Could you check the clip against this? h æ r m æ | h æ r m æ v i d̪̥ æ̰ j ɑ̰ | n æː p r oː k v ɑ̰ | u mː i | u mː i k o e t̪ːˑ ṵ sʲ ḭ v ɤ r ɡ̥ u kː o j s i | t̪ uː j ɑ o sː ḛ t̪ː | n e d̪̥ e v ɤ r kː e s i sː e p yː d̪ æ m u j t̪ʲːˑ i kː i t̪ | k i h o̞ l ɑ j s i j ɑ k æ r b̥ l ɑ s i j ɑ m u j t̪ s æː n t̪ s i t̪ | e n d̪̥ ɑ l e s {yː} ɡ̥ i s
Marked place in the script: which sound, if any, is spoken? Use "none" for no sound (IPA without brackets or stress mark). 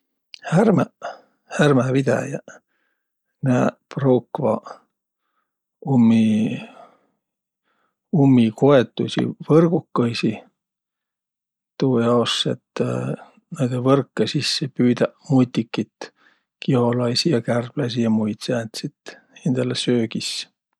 øː